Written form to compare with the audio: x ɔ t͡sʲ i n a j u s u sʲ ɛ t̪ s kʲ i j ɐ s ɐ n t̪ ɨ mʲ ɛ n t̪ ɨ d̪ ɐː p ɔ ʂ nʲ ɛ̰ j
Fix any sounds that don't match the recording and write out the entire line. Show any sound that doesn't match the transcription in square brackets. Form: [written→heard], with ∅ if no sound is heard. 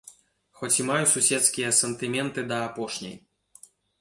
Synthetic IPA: x ɔ t͡sʲ i [n→m] a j u s u sʲ ɛ t̪ s kʲ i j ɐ s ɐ n t̪ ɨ mʲ ɛ n t̪ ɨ d̪ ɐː p ɔ ʂ nʲ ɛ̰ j